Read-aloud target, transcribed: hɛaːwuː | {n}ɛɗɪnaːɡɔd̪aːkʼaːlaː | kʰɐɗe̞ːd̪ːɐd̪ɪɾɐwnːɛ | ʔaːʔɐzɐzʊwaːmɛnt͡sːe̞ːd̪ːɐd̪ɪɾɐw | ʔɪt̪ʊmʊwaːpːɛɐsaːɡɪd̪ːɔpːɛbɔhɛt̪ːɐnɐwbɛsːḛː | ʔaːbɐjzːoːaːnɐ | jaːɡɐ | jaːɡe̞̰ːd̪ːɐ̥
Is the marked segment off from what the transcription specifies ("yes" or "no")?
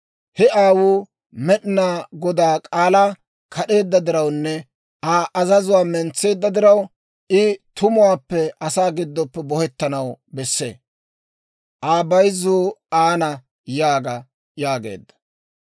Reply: yes